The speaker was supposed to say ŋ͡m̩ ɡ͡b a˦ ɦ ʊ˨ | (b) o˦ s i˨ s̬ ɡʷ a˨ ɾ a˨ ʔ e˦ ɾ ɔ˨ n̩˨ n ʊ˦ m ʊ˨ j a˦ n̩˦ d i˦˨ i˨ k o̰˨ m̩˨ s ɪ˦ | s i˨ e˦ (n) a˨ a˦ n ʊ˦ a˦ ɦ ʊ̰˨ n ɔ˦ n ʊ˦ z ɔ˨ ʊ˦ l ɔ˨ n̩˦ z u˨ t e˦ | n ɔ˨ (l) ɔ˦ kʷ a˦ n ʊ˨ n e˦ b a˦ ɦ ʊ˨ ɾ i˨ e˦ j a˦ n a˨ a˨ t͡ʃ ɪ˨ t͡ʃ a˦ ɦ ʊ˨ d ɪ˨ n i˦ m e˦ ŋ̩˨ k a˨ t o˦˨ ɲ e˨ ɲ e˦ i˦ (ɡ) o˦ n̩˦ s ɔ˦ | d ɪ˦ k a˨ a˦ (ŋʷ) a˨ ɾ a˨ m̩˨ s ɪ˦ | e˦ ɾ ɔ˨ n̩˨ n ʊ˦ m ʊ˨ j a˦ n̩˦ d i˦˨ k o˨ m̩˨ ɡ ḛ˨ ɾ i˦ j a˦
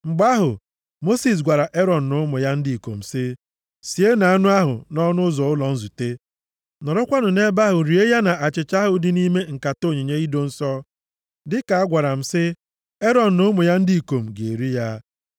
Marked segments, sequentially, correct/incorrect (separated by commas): incorrect, correct, incorrect, incorrect, incorrect